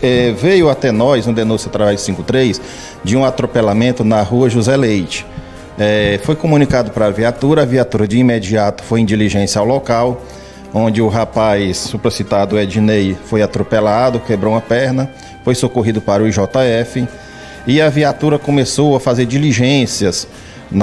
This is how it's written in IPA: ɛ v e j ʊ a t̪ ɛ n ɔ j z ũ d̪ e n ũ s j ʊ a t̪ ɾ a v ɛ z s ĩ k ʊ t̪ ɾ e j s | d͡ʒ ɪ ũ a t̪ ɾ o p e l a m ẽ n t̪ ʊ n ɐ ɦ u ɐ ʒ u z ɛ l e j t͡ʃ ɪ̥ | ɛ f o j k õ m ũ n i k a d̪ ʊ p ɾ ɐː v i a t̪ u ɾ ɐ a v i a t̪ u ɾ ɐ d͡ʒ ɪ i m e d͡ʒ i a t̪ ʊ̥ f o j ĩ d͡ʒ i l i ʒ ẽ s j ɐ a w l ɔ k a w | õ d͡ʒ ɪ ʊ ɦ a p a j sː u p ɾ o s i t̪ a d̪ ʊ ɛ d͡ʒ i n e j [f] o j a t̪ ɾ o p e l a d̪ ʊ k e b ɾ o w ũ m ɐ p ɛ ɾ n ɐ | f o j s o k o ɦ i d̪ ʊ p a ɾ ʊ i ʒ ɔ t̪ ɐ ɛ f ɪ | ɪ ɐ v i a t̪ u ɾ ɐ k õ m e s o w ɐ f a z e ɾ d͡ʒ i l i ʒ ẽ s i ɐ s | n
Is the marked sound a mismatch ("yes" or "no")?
no